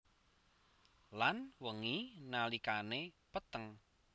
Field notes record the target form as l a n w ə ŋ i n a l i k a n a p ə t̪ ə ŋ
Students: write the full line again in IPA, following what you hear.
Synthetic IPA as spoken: l a n w ə ŋ i n a l i k a n e p ə t̪ ə ŋ